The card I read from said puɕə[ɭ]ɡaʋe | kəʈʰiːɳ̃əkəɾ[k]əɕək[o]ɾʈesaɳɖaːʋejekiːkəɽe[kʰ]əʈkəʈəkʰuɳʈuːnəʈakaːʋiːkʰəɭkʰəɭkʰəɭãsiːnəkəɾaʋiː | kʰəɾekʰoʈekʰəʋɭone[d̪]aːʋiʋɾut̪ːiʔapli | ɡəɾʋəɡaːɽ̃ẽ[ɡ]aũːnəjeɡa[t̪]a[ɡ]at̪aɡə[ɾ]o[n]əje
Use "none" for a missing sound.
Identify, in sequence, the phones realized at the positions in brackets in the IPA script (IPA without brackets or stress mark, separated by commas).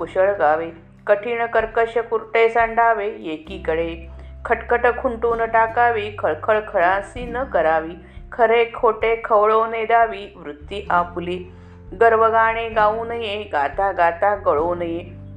ɭ, k, u, kʰ, d̪, ɡ, t̪, ɡ, ɭ, n